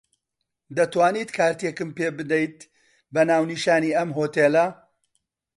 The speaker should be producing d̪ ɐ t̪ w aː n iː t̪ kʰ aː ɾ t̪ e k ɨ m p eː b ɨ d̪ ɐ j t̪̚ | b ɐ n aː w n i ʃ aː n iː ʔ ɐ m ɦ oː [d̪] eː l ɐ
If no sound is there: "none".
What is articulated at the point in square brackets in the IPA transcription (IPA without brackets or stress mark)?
t̪